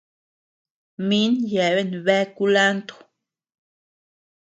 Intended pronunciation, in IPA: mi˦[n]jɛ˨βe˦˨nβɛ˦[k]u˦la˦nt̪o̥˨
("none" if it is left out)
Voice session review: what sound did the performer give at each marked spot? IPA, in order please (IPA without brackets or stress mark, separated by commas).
n, k